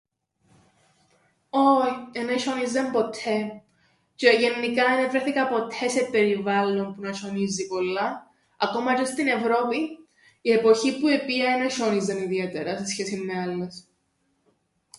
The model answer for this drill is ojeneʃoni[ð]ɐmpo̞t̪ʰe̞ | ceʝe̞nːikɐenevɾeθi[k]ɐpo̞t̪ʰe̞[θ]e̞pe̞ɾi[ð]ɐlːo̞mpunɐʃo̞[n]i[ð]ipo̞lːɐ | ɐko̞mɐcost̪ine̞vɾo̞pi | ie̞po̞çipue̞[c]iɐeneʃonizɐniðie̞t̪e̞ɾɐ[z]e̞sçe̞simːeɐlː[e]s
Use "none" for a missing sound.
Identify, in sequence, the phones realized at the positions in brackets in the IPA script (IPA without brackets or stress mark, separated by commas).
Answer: z, k, s, v, n, z, p, s, e